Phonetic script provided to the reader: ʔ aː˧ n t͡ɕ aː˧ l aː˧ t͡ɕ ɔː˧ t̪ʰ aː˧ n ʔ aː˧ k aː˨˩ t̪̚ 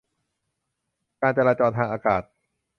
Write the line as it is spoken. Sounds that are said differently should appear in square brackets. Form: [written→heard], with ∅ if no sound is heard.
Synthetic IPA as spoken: [ʔ→k] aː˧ n t͡ɕ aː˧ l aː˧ t͡ɕ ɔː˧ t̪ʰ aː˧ [n→ŋ] ʔ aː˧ k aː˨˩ t̪̚